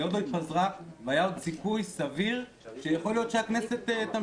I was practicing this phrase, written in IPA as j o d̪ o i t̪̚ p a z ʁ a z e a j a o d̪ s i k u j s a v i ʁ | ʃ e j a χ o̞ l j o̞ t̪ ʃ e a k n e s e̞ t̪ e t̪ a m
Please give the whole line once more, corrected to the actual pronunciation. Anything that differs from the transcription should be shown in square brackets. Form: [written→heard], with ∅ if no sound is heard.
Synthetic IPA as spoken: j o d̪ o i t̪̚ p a z ʁ a [z→v] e a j a o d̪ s i k u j s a v i ʁ | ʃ e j a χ o̞ l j o̞ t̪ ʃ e a k n e s e̞ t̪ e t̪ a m